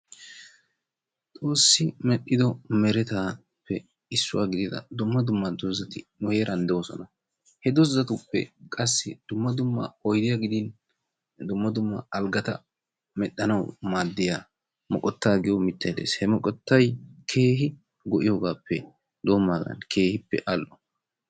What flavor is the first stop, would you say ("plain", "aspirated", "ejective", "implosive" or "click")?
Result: ejective